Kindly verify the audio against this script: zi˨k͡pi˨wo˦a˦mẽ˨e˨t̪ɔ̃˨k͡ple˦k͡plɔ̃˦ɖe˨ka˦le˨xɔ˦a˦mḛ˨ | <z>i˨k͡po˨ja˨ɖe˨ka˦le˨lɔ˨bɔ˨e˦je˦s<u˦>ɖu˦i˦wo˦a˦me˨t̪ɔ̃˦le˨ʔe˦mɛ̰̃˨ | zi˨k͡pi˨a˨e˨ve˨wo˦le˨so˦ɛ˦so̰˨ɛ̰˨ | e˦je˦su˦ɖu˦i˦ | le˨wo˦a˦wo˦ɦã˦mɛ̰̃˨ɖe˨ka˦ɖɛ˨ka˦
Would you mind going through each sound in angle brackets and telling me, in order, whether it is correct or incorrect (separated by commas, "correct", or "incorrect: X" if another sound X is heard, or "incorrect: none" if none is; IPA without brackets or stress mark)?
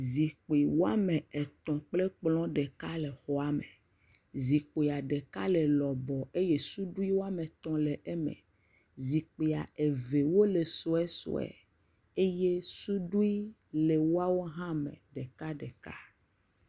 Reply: correct, correct